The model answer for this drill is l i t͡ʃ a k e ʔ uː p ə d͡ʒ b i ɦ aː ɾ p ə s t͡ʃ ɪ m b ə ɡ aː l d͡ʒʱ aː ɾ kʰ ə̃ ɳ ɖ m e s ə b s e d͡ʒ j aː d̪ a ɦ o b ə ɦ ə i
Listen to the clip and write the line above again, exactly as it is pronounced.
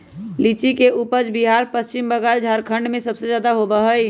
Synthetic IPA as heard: l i t͡ʃ i k e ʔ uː p ə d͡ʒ b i ɦ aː ɾ p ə s t͡ʃ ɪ m b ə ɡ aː l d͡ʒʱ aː ɾ kʰ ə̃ ɳ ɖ m ẽ s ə b s e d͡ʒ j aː d̪ a ɦ o b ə ɦ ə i

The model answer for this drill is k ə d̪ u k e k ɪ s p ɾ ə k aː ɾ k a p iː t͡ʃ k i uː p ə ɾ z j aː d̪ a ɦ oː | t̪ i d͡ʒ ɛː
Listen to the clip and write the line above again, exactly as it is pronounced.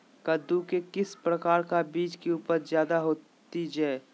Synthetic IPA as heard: k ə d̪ u k e k ɪ s p ɾ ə k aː ɾ k a b iː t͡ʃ k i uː p ə ɾ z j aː d̪ a ɦ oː | t̪ i d͡ʒ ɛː

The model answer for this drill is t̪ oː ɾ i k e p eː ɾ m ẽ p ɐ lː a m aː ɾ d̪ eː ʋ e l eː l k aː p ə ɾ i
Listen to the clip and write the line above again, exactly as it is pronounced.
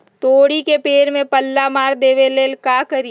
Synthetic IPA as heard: t̪ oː ɽ i k e p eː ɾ m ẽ p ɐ lː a m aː ɾ d̪ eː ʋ e l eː l k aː k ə ɾ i

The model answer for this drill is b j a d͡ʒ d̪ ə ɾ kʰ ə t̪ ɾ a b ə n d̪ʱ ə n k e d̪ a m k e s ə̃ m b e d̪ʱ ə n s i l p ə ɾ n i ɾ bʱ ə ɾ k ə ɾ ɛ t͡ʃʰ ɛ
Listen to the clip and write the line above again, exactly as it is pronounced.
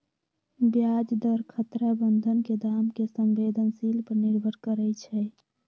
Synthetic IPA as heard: b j a d͡ʒ d̪ ə ɾ kʰ ə t̪ ɾ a b ə n d̪ʱ ə n k e d̪ a m k e s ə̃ m b e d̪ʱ ə n s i l p ə ɾ n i ɾ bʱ ə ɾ k ə ɾ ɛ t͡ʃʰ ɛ

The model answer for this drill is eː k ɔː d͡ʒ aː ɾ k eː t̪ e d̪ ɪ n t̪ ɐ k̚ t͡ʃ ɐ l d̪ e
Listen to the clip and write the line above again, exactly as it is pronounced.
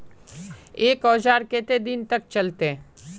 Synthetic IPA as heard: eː k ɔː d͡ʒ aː ɾ k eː t̪ e d̪ ɪ n t̪ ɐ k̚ t͡ʃ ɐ l t̪ e

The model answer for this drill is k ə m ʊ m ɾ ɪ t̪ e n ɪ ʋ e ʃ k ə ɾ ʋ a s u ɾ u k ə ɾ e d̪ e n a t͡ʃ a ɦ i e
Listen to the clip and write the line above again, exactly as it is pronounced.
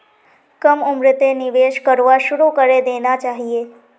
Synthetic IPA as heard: k ə m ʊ m ɾ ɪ t̪ e n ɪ ʋ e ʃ k ə ɾ ʋ a ʃ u ɾ u k ə ɾ e d̪ e n a t͡ʃ a ɦ i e

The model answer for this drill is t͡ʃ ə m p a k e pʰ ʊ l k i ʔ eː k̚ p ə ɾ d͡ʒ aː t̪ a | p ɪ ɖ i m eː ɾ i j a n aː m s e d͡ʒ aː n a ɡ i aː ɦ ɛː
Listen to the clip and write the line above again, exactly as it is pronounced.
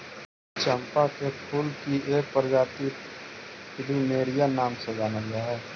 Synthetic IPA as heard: t͡ʃ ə m p a k e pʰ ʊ l k i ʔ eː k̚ p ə ɾ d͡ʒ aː t̪ i | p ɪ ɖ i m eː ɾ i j a n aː m s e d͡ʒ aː n a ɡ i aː ɦ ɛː

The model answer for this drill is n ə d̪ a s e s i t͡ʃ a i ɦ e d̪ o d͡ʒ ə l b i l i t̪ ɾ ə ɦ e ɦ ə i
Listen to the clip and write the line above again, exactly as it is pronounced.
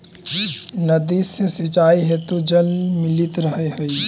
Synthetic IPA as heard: n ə d̪ i s e s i t͡ʃ a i ɦ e t̪ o d͡ʒ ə l m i l i t̪ ɾ ə ɦ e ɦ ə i

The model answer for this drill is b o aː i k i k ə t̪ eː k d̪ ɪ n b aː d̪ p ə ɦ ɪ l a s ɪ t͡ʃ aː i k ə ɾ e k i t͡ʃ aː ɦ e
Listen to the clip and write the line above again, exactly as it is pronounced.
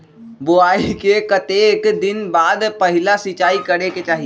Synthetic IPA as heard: b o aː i k e k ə t̪ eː k d̪ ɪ n b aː d̪ p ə ɦ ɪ l a s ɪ t͡ʃ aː i k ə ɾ e k e t͡ʃ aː ɦ i

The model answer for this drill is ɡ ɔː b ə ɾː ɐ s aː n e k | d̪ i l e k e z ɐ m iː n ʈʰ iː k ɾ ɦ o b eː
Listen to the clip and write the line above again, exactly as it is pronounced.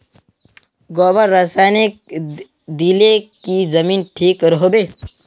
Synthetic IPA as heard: ɡ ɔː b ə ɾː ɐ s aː n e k | d̪ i l e k i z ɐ m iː n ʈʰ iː k ɾ ɦ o b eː

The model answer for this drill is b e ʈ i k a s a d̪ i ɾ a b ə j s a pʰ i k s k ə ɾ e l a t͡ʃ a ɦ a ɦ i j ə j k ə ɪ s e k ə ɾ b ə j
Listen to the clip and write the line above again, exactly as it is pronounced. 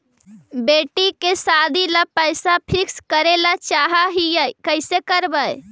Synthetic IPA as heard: b e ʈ i k e s a d̪ i l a p ə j s a pʰ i k s k ə ɾ e l a t͡ʃ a ɦ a ɦ i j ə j k ə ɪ s e k ə ɾ b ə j

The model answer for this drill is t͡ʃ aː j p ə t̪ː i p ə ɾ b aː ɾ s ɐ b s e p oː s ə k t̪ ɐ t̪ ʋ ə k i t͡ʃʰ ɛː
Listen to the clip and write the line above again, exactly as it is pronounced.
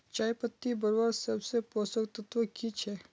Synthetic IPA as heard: t͡ʃ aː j p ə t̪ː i b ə ɾ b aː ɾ s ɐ b s e p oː s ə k t̪ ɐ t̪ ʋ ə k i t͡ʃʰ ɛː

